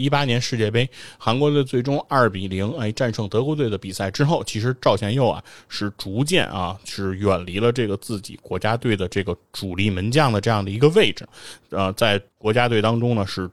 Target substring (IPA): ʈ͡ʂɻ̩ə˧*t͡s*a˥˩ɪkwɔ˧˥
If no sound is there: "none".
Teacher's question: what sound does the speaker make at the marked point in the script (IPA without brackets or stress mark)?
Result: t͡s